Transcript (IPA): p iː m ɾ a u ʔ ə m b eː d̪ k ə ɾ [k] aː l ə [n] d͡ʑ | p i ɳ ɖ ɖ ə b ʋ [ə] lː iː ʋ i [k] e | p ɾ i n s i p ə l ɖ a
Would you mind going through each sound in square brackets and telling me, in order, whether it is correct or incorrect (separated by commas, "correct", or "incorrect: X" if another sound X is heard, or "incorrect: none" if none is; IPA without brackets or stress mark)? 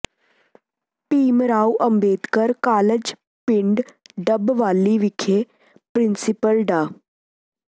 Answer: correct, incorrect: none, incorrect: a, incorrect: kʰ